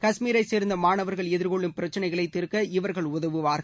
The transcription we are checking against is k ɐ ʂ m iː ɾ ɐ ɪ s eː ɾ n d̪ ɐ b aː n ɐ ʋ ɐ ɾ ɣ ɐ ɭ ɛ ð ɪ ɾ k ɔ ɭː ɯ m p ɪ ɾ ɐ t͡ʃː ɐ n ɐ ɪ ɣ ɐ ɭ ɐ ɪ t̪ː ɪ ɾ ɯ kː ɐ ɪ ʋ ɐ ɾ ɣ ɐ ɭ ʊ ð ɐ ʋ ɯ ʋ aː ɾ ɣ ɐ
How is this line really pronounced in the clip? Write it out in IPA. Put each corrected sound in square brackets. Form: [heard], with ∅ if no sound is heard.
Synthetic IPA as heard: k ɐ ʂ m iː ɾ ɐ ɪ s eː ɾ n d̪ ɐ [m] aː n ɐ ʋ ɐ ɾ ɣ ɐ ɭ ɛ ð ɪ ɾ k ɔ ɭː ɯ m p ɪ ɾ ɐ t͡ʃː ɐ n ɐ ɪ ɣ ɐ ɭ ɐ ɪ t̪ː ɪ ɾ ɯ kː ɐ ɪ ʋ ɐ ɾ ɣ ɐ ɭ ʊ ð ɐ ʋ ɯ ʋ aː ɾ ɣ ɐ